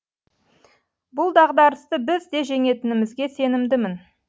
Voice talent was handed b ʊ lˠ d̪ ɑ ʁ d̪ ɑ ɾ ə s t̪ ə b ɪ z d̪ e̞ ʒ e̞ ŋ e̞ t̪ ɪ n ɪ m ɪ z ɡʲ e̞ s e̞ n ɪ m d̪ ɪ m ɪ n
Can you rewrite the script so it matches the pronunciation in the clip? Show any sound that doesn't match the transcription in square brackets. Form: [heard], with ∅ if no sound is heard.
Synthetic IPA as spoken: b ʊ lˠ d̪ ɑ ʁ d̪ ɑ ɾ ə s t̪ ə b ɪ z d̪ e̞ ʒ e̞ ŋ e̞ t̪ ɪ n ɪ m ɪ z ɡʲ e̞ s e̞ n ɪ m d̪ ɪ m ɪ n